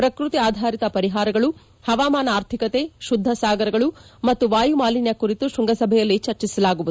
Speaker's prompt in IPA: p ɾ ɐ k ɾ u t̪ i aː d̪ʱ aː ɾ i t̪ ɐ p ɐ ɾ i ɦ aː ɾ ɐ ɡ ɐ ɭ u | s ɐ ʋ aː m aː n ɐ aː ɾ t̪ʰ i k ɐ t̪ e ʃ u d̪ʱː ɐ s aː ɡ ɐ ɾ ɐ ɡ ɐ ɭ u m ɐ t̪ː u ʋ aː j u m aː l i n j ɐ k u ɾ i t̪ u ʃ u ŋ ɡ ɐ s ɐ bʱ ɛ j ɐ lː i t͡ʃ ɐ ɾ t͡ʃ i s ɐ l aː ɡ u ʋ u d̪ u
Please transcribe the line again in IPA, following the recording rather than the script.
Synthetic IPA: p ɾ ɐ k ɾ u t̪ i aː d̪ʱ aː ɾ i t̪ ɐ p ɐ ɾ i ɦ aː ɾ ɐ ɡ ɐ ɭ u | h ɐ ʋ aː m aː n ɐ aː ɾ t̪ʰ i k ɐ t̪ e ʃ u d̪ʱː ɐ s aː ɡ ɐ ɾ ɐ ɡ ɐ ɭ u m ɐ t̪ː u ʋ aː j u m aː l i n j ɐ k u ɾ i t̪ u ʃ u ŋ ɡ ɐ s ɐ bʱ ɛ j ɐ lː i t͡ʃ ɐ ɾ t͡ʃ i s ɐ l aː ɡ u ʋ u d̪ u